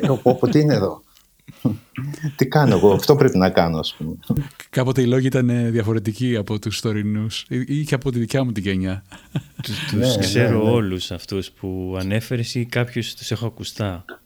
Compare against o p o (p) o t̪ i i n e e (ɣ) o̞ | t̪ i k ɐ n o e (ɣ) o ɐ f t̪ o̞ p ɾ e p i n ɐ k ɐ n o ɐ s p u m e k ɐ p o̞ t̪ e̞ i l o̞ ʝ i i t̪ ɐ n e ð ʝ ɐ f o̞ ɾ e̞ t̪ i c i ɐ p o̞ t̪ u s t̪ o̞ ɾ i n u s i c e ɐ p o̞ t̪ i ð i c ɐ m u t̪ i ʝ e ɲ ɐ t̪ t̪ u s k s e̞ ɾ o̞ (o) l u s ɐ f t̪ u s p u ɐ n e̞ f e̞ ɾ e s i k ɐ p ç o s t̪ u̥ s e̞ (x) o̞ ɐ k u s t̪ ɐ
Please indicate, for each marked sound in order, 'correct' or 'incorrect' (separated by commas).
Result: correct, incorrect, correct, correct, correct